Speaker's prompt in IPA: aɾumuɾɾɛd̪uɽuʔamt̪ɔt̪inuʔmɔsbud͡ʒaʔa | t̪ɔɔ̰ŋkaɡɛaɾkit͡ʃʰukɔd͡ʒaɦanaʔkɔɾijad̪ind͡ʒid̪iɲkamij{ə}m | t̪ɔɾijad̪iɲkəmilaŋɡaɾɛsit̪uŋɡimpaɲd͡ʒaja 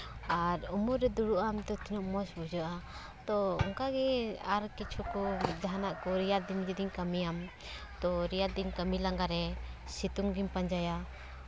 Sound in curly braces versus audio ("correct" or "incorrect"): incorrect